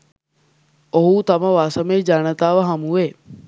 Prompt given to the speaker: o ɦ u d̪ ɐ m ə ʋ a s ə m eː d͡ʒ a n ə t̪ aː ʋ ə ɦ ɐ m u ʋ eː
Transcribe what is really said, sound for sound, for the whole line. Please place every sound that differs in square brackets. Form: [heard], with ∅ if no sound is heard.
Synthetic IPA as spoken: o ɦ u [t̪] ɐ m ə ʋ a s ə m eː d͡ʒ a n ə t̪ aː ʋ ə ɦ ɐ m u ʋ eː